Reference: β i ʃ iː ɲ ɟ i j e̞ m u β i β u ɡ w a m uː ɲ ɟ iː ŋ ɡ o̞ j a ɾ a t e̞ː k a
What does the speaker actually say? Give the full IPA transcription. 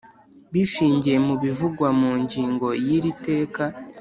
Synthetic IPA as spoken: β i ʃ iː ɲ ɟ i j e̞ m u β i v u ɡ w a m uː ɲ ɟ iː ŋ ɡ o̞ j i ɾ i t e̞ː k a